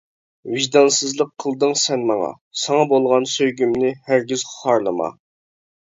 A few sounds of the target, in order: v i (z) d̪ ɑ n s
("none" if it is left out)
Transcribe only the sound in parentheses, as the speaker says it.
ʒ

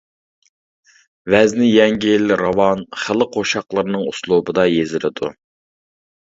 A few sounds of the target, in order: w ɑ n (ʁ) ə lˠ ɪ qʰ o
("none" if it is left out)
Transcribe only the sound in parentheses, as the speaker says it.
χ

